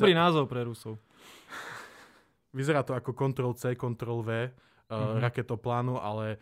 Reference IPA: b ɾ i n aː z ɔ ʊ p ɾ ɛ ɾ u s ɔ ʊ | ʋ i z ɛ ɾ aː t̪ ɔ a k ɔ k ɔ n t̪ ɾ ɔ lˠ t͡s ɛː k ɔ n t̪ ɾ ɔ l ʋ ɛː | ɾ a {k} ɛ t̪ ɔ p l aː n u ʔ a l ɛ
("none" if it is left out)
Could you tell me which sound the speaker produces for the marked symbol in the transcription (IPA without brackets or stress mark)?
k